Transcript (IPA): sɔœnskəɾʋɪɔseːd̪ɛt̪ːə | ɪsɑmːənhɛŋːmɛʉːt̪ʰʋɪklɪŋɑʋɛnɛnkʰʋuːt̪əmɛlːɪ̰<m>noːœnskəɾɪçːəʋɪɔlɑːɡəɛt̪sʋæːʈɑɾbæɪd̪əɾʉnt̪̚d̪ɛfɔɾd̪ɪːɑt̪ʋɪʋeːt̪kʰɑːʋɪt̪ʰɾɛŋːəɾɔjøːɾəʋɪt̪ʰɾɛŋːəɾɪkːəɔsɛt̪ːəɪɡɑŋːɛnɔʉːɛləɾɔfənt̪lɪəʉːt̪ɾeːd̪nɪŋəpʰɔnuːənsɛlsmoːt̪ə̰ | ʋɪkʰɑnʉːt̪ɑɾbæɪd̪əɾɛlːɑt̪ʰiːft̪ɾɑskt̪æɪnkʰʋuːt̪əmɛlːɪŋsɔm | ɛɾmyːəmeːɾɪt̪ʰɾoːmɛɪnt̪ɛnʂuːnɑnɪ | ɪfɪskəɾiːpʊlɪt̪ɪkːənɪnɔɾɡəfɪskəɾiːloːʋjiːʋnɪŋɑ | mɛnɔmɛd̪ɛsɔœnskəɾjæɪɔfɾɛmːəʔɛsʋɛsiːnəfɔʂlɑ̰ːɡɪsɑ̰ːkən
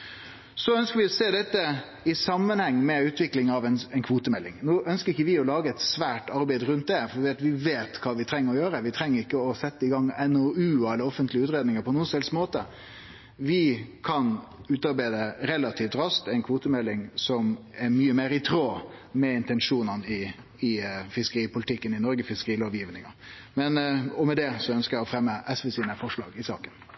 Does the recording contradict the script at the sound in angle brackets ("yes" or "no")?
yes